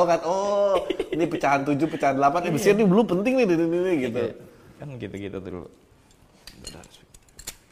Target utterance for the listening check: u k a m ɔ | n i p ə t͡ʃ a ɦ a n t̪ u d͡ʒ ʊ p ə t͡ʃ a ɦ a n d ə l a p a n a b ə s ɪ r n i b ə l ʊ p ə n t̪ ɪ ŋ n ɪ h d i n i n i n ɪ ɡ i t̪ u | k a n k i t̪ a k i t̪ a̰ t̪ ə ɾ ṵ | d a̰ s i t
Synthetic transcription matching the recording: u k a n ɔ | n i p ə t͡ʃ a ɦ a n t̪ u d͡ʒ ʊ p ə t͡ʃ a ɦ a n d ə l a p a n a b ə s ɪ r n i b ə l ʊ p ə n t̪ ɪ ŋ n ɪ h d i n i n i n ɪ ɡ i t̪ u | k a n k i t̪ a k i t̪ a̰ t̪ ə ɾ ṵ | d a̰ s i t